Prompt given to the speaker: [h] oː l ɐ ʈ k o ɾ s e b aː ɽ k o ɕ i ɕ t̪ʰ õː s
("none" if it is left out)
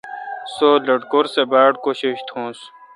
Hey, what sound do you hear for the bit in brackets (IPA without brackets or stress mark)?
s